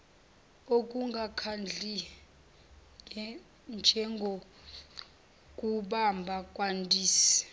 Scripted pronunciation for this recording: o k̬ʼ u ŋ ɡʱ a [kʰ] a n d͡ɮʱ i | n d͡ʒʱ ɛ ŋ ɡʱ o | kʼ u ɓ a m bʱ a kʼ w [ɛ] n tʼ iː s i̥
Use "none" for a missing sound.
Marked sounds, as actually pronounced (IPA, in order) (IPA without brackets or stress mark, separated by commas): kʰ, a